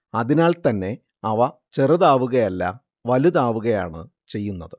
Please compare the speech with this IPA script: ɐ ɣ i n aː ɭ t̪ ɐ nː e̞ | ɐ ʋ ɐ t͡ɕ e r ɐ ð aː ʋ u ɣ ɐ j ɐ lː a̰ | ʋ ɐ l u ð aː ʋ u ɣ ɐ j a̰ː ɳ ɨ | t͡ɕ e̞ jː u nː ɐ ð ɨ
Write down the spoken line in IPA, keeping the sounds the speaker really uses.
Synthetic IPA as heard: ɐ ð i n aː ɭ t̪ ɐ nː e̞ | ɐ ʋ ɐ t͡ɕ e r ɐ ð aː ʋ u ɣ ɐ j ɐ lː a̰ | ʋ ɐ l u ð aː ʋ u ɣ ɐ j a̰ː ɳ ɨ | t͡ɕ e̞ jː u nː ɐ ð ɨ